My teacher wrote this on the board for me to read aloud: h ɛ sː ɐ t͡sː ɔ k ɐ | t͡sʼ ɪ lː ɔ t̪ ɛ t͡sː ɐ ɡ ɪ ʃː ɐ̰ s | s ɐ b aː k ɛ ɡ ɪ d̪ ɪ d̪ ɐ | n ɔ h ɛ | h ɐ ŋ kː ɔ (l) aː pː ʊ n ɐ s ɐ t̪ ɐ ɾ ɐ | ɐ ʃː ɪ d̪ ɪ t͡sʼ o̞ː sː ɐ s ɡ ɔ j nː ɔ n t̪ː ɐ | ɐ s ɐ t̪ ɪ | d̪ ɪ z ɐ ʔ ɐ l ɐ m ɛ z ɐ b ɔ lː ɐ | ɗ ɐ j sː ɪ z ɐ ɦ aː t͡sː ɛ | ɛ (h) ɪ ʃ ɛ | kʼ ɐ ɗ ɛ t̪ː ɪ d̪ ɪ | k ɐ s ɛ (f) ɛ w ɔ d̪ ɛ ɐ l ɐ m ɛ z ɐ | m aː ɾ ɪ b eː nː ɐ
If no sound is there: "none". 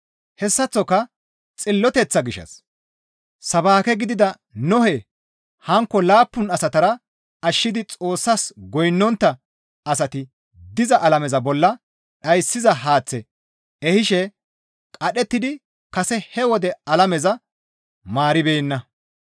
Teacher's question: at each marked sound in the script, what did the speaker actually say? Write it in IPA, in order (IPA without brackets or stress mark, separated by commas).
l, h, h